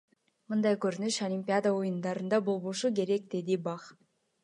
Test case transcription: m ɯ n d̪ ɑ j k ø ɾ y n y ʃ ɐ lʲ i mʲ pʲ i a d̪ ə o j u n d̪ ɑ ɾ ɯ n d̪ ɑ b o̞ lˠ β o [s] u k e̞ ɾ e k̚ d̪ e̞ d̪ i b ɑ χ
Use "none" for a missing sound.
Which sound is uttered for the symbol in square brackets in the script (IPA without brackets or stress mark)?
ʃ